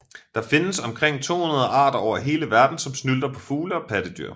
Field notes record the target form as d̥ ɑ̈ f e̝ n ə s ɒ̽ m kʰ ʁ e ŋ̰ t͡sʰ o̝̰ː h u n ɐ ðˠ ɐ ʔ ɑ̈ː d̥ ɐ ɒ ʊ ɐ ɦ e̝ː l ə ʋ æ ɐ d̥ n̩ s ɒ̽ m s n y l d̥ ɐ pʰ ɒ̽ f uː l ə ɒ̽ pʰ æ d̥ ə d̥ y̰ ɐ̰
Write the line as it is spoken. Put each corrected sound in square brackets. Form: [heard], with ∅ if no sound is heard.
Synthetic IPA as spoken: d̥ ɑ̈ f e̝ n ə s ɒ̽ m kʰ ʁ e ŋ̰ t͡sʰ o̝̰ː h u n ɐ ðˠ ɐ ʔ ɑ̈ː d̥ ɐ ɒ ʊ ɐ ɦ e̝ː l ə ʋ æ ɐ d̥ n̩ s ɒ̽ m s n y l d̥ ɐ pʰ ɒ̽ f uː l ə ɒ̽ pʰ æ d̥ ə d̥ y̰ ɐ̰